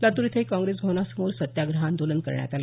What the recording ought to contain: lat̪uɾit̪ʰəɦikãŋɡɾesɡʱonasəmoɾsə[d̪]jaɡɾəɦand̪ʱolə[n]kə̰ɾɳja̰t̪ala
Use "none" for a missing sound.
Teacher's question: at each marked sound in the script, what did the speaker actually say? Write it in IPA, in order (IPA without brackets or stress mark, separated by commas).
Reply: t̪, n